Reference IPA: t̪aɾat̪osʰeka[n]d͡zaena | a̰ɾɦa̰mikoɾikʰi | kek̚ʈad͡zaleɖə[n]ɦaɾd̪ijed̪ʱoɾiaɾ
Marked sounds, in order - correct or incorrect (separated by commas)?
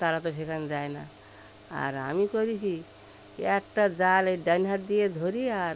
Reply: correct, correct